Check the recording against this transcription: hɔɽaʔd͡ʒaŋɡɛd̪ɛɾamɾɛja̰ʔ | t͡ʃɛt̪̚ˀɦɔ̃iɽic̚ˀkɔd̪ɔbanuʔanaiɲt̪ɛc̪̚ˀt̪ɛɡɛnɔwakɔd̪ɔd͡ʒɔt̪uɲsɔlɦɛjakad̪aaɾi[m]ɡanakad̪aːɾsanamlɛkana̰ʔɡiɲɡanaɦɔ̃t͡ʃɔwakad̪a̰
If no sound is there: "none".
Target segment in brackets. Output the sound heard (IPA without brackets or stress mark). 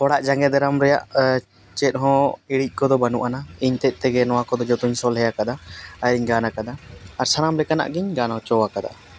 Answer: ɲ